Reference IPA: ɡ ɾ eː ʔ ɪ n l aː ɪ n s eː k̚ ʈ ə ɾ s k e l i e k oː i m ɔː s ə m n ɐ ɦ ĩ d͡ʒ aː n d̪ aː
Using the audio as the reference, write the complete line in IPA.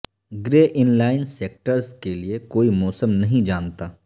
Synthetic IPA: ɡ ɾ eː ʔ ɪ n l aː ɪ n s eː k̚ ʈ ə ɾ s k e l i e k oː i m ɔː s ə m n ɐ ɦ ĩ d͡ʒ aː n t̪ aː